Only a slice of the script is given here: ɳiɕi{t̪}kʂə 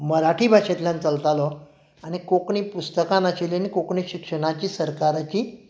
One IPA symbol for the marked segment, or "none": none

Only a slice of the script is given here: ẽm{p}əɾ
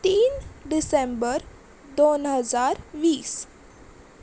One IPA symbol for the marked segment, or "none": b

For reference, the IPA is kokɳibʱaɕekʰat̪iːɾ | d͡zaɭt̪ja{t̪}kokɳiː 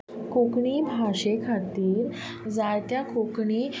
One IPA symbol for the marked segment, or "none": none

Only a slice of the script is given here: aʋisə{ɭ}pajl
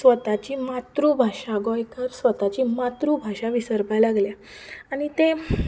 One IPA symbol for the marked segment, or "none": ɾ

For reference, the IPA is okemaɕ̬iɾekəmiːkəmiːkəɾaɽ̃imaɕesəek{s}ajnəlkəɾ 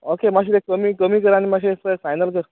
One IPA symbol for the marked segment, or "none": f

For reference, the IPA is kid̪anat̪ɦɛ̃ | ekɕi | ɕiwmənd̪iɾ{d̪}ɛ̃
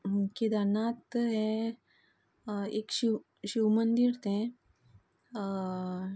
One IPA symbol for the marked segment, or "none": t̪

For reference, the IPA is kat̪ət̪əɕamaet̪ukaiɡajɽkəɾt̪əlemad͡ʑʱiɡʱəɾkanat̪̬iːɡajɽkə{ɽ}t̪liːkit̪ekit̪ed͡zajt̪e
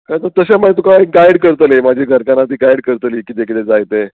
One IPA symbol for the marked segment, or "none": ɾ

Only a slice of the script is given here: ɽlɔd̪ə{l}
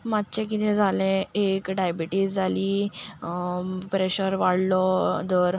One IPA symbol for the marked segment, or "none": ɾ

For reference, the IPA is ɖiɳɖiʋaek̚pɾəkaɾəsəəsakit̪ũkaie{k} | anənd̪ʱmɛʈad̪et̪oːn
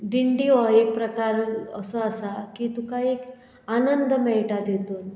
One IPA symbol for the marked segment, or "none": k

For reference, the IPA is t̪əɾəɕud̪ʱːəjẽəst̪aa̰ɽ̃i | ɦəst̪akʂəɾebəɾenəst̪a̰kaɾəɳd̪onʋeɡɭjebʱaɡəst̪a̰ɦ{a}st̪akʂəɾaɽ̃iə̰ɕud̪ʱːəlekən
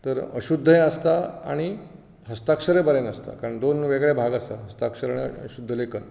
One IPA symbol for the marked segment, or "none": ə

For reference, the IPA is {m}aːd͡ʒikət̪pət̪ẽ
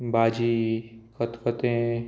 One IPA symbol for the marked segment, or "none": b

